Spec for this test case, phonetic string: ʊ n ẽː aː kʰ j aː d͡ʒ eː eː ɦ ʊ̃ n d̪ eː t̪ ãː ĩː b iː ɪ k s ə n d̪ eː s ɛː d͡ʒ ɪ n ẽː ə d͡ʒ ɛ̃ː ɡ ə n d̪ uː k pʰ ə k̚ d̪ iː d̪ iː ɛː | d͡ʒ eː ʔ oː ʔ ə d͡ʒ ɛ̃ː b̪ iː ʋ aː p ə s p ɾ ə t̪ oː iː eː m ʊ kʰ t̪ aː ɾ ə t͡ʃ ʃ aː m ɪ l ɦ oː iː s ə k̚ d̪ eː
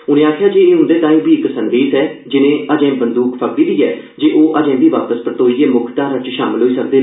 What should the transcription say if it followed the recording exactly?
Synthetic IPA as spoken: ʊ n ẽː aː kʰ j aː d͡ʒ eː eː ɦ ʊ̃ n d̪ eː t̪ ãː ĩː b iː ɪ k s ə n d̪ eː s ɛː d͡ʒ ɪ n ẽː ə d͡ʒ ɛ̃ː b ə n d̪ uː k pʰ ə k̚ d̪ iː d̪ iː ɛː | d͡ʒ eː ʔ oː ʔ ə d͡ʒ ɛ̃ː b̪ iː ʋ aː p ə s p ɾ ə t̪ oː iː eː m ʊ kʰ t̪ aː ɾ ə t͡ʃ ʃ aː m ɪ l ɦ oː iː s ə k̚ d̪ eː